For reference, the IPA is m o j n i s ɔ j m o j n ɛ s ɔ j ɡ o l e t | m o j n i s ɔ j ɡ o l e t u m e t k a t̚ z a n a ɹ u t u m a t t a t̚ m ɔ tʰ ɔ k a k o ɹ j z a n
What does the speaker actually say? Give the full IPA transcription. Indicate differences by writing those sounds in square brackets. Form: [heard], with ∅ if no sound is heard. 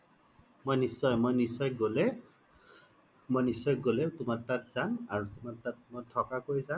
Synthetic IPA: m o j n i s ɔ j m o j n [i] s ɔ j ɡ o l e [∅] | m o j n i s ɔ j ɡ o l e t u m [a] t [t] a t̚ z a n a ɹ u t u m a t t a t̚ m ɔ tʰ ɔ k a k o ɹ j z a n

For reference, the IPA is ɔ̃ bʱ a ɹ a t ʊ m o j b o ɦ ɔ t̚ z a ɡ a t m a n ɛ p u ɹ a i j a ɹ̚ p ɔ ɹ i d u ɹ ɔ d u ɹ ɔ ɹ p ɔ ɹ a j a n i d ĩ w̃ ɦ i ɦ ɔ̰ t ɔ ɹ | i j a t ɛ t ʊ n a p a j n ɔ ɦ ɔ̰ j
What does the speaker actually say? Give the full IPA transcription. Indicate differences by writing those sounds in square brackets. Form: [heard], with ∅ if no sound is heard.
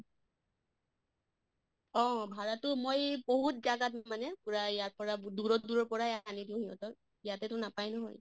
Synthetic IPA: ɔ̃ bʱ a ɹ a t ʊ m o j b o ɦ [u] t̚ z a ɡ a t m a n ɛ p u ɹ a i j a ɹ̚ p ɔ ɹ [a] d u ɹ ɔ d u ɹ ɔ ɹ p ɔ ɹ a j a n i d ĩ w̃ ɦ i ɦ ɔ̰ t ɔ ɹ | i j a t ɛ t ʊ n a p a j n ɔ ɦ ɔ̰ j

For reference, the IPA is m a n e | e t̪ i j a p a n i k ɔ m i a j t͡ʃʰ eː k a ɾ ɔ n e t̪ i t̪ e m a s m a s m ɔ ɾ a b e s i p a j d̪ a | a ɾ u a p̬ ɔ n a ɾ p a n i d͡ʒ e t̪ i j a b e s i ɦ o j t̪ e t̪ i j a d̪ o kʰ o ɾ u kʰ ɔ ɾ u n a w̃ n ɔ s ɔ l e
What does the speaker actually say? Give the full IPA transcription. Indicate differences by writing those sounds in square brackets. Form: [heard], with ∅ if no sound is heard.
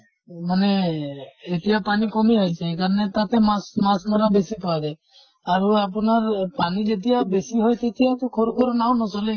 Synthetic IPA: m a n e | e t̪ i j a p a n i k ɔ m i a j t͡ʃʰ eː k a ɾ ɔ n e t̪ [a] t̪ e m a s m a s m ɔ ɾ a b e s i p a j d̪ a | a ɾ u a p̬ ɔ n a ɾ p a n i d͡ʒ e t̪ i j a b e s i ɦ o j t̪ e t̪ i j a [t̪] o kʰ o ɾ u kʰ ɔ ɾ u n a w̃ n ɔ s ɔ l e

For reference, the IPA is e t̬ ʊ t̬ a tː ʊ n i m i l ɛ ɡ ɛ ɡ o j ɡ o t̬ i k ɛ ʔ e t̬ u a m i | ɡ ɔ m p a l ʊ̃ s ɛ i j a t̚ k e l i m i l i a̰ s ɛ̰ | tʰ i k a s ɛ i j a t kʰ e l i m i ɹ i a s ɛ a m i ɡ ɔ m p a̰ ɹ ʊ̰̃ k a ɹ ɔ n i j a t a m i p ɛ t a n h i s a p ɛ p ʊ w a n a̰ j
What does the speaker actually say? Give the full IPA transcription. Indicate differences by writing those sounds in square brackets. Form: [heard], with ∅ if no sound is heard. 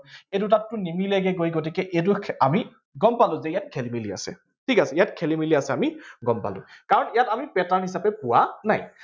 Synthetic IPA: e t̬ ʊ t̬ a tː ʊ n i m i l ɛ ɡ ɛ ɡ o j ɡ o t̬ i k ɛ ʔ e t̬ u a m i | ɡ ɔ m p a l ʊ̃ [z] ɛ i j a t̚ [kʰ] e l i m i l i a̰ s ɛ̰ | tʰ i k a s ɛ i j a t kʰ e l i m i [l] i a s ɛ a m i ɡ ɔ m p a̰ [l] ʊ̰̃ k a ɹ ɔ n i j a t a m i p ɛ t a n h i s a p ɛ p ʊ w a n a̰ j

